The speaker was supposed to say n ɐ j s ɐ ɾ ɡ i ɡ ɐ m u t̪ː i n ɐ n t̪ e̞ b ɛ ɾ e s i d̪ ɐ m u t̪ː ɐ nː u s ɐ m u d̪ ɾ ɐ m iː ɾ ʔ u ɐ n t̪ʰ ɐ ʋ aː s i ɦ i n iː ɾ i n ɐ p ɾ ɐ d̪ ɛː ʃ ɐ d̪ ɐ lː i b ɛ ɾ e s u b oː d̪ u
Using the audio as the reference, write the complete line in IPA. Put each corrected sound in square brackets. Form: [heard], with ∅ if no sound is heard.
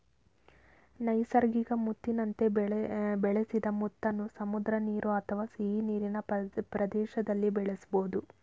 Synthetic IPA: n ɐ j s ɐ ɾ ɡ i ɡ ɐ m u t̪ː i n ɐ n t̪ e̞ b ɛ [ɭ] e s i d̪ ɐ m u t̪ː ɐ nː u s ɐ m u d̪ ɾ ɐ [n] iː ɾ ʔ u ɐ [∅] t̪ʰ ɐ ʋ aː s i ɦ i n iː ɾ i n ɐ p ɾ ɐ d̪ ɛː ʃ ɐ d̪ ɐ lː i b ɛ [ɭ] e s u b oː d̪ u